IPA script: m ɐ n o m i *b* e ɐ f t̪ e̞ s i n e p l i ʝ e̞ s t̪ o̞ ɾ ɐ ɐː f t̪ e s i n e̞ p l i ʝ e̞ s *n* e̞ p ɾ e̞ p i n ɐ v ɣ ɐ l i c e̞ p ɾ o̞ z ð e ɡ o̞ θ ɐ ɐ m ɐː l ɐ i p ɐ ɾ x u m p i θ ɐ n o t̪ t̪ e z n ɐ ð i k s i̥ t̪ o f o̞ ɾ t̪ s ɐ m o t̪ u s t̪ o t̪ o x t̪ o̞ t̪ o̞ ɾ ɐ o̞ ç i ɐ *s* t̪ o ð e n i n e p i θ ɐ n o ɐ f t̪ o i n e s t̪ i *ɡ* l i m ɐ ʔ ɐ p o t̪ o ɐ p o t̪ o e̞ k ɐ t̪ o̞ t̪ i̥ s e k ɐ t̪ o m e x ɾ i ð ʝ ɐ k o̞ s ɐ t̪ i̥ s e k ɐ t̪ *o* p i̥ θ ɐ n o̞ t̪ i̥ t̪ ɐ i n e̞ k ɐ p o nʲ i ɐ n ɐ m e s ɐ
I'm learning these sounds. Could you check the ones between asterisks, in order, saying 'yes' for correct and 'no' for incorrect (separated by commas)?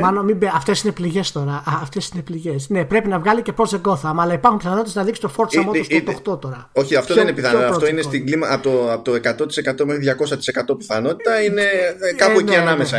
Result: yes, yes, no, yes, yes